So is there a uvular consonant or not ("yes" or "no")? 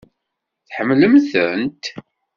no